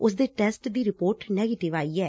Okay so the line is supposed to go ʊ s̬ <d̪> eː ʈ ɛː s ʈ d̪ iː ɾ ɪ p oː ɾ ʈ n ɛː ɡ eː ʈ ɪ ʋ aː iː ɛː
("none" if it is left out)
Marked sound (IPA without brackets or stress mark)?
d̪